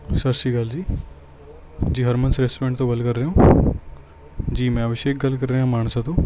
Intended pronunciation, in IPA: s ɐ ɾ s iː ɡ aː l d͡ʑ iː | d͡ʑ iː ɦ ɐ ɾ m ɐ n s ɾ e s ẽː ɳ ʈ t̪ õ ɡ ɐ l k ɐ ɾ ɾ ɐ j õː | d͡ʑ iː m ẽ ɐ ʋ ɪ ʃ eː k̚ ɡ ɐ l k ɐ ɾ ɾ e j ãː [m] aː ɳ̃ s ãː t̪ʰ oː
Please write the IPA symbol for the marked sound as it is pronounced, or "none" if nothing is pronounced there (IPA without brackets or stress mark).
m